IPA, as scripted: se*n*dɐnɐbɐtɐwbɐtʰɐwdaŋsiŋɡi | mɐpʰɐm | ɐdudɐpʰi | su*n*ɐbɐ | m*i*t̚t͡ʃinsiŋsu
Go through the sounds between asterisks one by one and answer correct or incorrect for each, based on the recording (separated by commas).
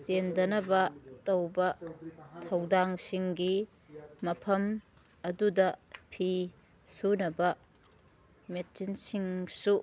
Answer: correct, correct, incorrect